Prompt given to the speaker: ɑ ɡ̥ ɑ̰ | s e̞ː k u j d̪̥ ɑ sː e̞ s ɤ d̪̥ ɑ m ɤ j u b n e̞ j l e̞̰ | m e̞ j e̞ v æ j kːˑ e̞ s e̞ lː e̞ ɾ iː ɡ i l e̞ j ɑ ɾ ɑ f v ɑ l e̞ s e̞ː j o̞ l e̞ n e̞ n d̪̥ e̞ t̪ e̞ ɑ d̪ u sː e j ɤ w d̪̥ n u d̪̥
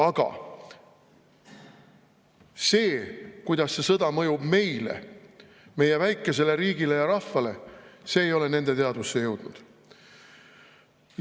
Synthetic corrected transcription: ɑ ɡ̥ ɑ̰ | s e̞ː k u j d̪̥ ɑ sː e̞ s ɤ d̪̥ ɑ m ɤ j u b m e̞ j l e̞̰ | m e̞ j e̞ v æ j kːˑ e̞ s e̞ l e̞ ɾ iː ɡ i l e̞ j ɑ ɾ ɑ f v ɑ l e̞ s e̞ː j o̞ l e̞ n e̞ n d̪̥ e̞ t̪ e̞ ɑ d̪ u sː e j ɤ w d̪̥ n u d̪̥